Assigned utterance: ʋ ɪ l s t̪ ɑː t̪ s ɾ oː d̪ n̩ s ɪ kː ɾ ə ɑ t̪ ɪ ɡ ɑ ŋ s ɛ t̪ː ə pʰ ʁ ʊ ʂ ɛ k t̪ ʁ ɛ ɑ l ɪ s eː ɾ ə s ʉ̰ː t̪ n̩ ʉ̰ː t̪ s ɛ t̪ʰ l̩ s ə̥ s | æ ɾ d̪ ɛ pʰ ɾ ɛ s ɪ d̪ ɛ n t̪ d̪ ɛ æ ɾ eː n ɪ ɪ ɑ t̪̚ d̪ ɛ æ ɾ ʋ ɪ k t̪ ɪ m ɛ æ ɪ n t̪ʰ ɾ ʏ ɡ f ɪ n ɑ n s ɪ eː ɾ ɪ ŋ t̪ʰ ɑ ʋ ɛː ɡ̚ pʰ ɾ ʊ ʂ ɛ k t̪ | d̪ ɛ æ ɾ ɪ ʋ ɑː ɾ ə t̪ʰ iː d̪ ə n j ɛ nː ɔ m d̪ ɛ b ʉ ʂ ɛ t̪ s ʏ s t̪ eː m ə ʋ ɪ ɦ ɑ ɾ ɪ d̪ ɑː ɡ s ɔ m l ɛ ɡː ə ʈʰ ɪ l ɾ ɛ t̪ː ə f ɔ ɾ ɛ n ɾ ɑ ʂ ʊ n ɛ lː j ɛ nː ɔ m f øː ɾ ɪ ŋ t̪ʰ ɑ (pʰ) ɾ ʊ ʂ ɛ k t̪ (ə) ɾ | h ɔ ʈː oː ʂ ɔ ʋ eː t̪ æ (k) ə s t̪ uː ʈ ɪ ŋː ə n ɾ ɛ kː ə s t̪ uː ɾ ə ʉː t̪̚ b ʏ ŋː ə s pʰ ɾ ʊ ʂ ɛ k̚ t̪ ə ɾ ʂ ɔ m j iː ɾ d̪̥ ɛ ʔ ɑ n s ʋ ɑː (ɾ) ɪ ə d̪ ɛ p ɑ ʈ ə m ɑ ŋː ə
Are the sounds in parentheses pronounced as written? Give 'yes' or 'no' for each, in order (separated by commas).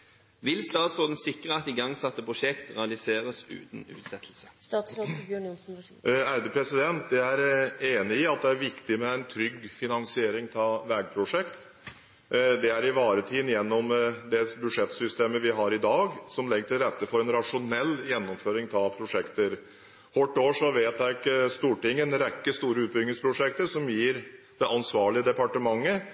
yes, yes, yes, no